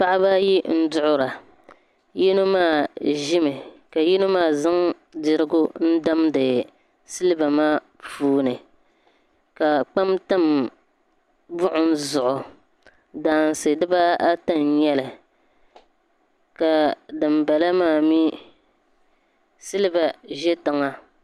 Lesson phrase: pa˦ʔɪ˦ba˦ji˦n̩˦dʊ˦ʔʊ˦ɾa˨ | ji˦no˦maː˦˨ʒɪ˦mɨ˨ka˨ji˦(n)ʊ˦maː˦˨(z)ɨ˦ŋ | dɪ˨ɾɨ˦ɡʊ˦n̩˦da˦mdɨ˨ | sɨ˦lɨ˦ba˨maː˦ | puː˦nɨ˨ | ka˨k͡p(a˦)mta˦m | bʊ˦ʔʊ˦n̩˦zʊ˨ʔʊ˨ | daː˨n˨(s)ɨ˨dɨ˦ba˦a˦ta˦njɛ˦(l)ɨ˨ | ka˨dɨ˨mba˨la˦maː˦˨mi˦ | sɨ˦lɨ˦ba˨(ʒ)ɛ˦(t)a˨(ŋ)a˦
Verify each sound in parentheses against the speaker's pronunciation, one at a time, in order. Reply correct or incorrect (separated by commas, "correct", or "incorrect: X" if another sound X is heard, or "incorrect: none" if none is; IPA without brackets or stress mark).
correct, correct, correct, correct, correct, correct, correct, correct